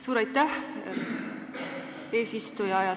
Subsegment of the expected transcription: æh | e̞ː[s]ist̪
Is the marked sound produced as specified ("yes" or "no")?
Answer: yes